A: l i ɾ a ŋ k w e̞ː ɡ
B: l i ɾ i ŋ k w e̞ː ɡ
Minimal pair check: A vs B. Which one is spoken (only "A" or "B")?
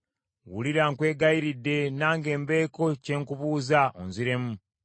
A